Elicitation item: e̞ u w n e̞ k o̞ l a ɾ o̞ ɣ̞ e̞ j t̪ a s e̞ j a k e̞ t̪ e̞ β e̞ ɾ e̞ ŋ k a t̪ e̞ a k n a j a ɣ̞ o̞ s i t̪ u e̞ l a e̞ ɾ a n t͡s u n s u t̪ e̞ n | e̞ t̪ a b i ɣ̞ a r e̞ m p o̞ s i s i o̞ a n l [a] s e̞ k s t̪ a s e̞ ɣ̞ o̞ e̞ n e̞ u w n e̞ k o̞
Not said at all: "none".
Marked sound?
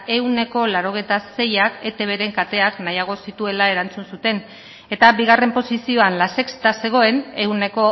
a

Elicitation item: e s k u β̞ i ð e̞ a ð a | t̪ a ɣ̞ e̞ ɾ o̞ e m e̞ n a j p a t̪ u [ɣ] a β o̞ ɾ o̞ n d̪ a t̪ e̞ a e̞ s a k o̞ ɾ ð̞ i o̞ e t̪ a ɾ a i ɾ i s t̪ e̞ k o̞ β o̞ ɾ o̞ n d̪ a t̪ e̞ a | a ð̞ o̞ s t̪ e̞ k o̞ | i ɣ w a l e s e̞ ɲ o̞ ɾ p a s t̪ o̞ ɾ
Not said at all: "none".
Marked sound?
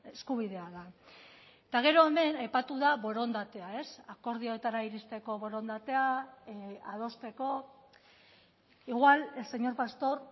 ð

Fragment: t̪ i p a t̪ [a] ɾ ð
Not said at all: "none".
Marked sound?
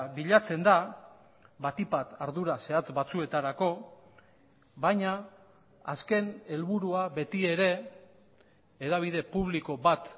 a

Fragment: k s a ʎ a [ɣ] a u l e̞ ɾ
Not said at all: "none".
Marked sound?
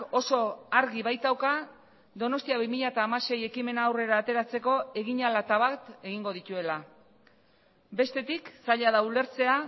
ð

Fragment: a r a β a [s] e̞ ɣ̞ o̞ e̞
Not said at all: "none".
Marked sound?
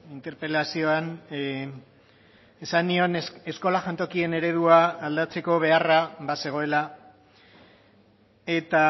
s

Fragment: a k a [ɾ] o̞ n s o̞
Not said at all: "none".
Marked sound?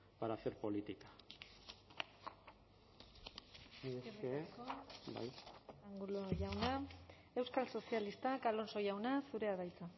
l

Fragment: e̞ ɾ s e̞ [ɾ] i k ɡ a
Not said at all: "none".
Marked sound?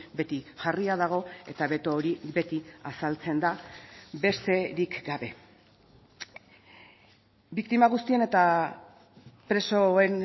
ɾ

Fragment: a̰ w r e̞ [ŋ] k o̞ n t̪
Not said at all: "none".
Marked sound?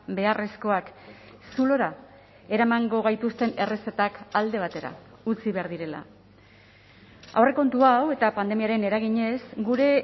none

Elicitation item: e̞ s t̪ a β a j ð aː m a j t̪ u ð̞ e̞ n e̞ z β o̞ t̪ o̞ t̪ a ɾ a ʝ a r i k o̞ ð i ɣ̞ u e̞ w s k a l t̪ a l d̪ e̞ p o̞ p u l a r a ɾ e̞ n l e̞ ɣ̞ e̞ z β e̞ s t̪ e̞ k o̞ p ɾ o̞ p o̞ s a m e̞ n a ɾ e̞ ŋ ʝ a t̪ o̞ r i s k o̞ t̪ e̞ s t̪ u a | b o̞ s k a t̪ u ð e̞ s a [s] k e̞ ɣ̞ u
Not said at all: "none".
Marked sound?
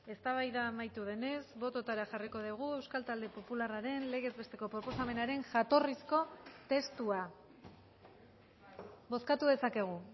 none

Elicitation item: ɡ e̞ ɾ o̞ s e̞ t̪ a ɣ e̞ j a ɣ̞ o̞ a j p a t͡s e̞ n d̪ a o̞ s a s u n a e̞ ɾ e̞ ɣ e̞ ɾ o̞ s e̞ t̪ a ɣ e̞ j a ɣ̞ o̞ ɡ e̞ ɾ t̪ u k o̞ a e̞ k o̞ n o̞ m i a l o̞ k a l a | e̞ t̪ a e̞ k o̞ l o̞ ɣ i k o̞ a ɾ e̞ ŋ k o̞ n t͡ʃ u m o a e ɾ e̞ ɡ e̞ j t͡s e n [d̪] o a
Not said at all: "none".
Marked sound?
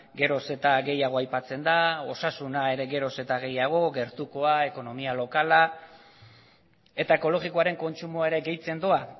d̪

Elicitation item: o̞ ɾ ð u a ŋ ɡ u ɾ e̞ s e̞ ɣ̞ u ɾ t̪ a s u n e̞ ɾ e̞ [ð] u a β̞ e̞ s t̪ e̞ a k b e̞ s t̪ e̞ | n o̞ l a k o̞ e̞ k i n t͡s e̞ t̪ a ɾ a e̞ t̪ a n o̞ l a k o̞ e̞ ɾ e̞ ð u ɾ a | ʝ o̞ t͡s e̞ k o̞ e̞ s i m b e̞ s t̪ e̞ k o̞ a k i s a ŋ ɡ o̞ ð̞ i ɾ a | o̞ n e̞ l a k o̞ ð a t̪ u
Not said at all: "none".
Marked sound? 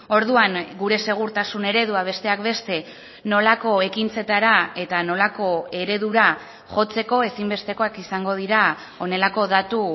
ð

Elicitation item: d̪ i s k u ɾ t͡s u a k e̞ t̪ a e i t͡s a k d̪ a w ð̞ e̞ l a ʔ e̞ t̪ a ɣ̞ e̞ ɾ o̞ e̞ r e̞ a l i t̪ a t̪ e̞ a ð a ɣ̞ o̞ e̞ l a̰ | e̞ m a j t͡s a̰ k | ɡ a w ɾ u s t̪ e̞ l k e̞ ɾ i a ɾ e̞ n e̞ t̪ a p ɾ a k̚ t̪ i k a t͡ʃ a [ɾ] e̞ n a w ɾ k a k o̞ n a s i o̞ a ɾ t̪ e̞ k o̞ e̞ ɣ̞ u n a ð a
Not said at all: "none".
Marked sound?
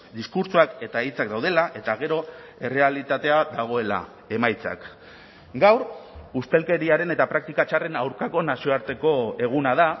r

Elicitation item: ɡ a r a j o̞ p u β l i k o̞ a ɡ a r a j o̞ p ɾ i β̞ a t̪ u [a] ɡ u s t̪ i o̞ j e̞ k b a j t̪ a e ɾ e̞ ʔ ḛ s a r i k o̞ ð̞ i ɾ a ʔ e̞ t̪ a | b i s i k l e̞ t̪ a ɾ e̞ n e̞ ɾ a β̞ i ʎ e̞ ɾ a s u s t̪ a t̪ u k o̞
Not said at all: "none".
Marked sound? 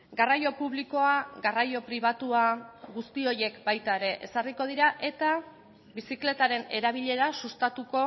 a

